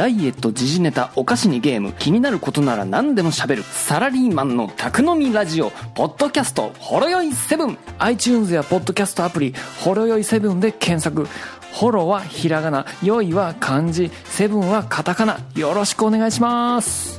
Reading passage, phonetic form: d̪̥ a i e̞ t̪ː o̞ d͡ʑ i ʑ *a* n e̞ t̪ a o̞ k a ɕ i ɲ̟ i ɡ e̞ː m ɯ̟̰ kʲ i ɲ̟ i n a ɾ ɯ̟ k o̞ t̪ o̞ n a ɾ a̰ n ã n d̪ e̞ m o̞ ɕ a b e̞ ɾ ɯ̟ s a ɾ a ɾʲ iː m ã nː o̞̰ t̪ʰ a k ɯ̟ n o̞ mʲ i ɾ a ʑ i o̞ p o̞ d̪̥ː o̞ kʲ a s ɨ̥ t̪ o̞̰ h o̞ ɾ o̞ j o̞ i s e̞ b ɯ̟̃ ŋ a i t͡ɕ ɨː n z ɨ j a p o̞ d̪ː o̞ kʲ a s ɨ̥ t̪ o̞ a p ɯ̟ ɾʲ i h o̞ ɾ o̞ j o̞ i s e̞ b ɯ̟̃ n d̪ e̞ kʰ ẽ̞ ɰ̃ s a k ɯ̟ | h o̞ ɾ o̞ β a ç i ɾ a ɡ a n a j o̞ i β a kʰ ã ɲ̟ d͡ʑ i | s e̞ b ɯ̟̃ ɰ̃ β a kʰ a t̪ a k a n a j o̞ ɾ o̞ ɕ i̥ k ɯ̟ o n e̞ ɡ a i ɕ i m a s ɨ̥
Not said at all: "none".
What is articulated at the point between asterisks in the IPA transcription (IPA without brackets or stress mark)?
i